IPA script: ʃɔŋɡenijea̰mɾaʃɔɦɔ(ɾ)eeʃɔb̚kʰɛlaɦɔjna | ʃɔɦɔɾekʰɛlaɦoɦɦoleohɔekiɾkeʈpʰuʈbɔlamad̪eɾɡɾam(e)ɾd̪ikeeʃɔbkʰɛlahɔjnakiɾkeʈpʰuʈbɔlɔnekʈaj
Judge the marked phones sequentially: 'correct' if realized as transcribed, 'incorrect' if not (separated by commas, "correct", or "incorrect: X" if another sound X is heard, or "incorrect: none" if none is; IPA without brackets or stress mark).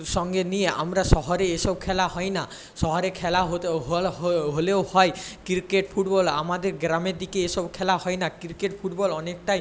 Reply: correct, correct